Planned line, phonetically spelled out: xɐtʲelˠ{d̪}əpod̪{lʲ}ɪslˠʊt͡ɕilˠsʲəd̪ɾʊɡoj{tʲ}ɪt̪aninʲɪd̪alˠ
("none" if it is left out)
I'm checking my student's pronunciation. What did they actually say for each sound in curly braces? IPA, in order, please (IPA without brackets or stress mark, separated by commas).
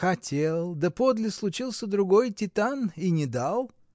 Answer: d̪, lʲ, tʲ